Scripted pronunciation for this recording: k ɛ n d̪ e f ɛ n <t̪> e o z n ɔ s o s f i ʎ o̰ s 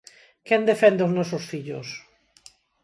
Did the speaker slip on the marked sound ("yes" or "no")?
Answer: yes